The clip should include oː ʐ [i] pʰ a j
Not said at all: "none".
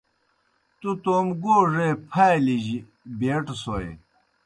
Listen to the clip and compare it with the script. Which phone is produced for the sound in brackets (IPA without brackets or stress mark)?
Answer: e